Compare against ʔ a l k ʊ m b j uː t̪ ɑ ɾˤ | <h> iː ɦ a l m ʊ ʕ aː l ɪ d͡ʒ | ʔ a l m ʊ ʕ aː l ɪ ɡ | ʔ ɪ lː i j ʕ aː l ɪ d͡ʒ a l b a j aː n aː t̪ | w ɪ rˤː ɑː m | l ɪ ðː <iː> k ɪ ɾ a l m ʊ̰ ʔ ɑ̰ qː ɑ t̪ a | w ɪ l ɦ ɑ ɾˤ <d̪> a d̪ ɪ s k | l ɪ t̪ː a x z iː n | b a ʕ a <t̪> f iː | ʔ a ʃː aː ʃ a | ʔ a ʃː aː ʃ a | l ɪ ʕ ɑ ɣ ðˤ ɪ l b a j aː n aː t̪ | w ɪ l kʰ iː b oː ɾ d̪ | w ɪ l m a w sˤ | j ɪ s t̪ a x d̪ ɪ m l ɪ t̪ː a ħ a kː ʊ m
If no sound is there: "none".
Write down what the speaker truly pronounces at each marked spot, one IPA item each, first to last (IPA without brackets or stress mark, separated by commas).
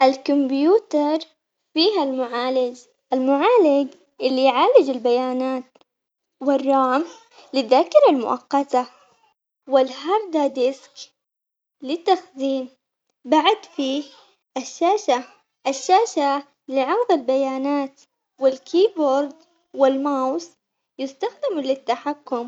f, aː, d̪, d̪